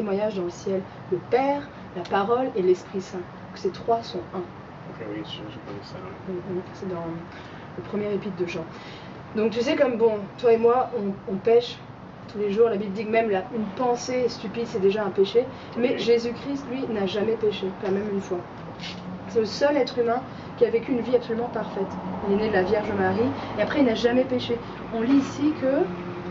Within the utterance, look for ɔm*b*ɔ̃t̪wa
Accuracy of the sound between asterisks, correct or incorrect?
correct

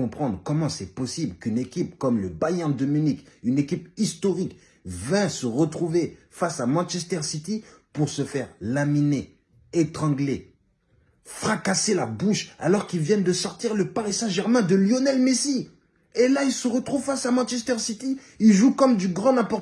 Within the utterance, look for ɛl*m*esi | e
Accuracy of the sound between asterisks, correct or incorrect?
correct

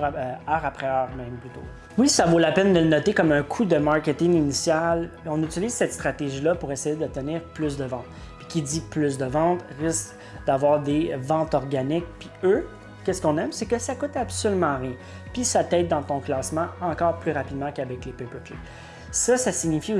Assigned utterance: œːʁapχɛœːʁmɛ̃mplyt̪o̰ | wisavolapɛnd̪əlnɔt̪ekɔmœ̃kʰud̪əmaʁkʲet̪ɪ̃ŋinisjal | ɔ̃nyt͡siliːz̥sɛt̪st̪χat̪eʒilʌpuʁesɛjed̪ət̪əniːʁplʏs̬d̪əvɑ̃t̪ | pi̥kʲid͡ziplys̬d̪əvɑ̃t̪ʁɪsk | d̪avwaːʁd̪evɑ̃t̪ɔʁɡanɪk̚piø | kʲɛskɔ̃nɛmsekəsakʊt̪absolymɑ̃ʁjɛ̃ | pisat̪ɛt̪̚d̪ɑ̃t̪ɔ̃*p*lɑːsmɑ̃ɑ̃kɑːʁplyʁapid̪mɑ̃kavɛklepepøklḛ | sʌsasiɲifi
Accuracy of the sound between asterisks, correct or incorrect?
incorrect: k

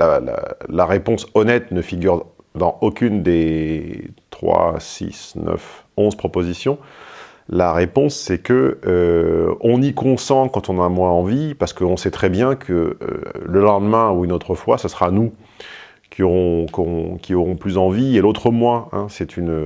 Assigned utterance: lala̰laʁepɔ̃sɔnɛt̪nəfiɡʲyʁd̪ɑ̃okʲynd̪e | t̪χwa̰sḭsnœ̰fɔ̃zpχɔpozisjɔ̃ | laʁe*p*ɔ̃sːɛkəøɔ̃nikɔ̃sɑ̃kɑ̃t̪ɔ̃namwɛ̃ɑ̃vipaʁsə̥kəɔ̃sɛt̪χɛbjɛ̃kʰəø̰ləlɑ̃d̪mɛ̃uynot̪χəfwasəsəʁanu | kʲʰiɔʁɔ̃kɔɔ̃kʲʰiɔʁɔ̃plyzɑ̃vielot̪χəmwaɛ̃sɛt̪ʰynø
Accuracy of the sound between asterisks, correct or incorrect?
correct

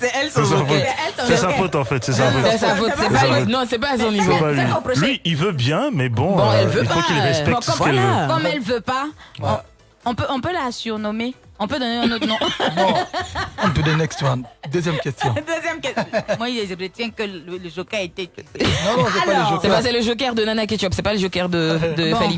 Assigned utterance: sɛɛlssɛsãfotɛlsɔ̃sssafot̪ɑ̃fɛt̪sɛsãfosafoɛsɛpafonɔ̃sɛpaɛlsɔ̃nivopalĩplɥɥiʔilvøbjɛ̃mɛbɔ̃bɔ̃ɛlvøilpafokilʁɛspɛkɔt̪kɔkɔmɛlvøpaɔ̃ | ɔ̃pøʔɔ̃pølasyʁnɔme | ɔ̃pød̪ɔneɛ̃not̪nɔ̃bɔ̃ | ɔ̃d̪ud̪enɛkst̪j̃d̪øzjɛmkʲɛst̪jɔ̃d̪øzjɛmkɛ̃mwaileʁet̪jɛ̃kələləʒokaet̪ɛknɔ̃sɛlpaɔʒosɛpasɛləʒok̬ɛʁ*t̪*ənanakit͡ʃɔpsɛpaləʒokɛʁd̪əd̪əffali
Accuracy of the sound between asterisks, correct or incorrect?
incorrect: d̪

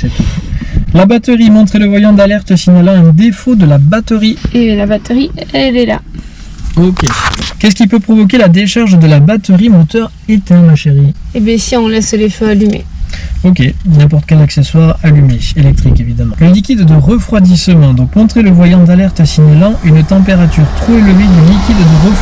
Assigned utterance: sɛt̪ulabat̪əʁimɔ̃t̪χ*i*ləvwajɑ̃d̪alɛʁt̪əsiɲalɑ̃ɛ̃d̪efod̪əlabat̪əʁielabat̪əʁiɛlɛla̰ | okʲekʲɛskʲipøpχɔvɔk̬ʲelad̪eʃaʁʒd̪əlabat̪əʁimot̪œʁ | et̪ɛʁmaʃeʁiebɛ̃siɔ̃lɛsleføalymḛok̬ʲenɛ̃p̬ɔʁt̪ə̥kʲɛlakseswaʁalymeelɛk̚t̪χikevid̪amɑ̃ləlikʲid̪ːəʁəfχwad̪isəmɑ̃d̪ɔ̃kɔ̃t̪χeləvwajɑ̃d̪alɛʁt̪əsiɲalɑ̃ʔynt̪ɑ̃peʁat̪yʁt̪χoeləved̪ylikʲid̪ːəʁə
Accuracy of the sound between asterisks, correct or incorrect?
incorrect: e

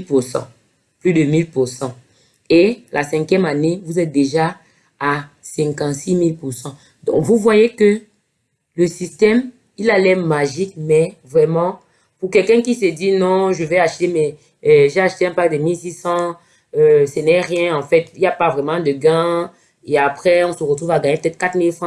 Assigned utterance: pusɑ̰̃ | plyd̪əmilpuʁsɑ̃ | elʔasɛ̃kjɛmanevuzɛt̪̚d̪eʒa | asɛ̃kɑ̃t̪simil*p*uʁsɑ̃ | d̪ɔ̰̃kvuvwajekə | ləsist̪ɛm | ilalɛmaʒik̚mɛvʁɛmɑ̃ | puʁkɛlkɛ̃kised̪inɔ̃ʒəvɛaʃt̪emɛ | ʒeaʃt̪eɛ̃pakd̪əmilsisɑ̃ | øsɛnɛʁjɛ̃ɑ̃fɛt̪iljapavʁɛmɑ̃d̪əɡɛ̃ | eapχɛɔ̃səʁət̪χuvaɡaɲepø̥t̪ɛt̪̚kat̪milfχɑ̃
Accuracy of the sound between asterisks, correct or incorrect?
correct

